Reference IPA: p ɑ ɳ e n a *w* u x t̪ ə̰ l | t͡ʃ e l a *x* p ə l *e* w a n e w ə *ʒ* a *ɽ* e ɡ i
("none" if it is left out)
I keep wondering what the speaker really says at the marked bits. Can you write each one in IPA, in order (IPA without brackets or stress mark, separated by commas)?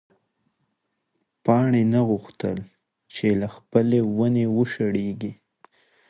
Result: ɣ, x, e, ʃ, ɽ